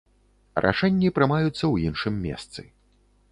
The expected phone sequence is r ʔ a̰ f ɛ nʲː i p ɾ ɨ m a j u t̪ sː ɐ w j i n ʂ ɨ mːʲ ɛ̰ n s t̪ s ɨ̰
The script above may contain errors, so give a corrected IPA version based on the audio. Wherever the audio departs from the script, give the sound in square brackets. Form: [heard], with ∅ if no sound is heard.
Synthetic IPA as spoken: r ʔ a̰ [ʂ] ɛ nʲː i p ɾ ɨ m a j u t̪ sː ɐ w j i n ʂ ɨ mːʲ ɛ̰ [∅] s t̪ s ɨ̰